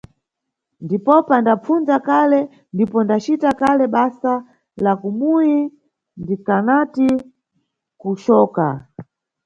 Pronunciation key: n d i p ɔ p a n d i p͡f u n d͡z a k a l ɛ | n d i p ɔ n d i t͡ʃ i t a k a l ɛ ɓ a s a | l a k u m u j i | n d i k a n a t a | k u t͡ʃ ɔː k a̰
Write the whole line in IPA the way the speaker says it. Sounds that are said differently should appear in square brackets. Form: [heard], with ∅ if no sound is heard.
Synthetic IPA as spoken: n d i p ɔ p a n d [a] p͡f u n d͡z a k a l ɛ | n d i p ɔ n d [a] t͡ʃ i t a k a l ɛ ɓ a s a | l a k u m u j i | n d i k a n a t [i] | k u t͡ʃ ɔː k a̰